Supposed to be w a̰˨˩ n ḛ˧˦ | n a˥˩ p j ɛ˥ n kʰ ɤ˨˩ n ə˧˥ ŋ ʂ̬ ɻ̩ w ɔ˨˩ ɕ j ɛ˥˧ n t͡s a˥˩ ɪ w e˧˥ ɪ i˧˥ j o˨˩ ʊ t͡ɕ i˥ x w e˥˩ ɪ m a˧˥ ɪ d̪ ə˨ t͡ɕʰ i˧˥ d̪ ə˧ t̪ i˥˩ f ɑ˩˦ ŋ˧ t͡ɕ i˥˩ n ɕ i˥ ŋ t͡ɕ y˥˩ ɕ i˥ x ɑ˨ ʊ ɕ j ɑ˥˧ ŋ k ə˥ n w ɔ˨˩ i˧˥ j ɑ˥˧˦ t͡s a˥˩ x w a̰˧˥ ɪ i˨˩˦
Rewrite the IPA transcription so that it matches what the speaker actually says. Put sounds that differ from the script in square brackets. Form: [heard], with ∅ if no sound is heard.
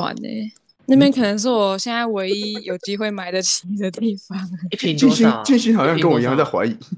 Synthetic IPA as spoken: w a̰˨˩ n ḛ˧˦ | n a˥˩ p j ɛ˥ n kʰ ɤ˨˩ n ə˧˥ ŋ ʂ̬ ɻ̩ w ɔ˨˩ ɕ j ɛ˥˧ n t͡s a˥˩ ɪ w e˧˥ ɪ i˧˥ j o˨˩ ʊ t͡ɕ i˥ x w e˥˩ ɪ m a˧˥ ɪ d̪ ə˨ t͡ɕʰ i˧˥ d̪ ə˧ t̪ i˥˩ f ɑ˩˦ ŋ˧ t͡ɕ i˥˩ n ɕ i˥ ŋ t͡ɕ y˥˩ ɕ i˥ x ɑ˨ ʊ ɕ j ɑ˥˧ ŋ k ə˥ n w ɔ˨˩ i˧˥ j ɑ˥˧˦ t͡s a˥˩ x w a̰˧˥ ɪ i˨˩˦